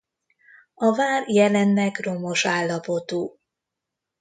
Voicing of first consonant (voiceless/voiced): voiced